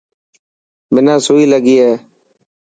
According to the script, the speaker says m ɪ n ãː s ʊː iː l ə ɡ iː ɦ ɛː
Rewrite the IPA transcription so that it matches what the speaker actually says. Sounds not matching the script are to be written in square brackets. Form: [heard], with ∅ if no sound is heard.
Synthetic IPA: m ɪ n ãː s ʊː iː l ə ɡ iː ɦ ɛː